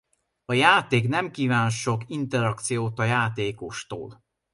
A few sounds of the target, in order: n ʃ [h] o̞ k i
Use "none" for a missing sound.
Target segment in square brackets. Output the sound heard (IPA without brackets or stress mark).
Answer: ʃ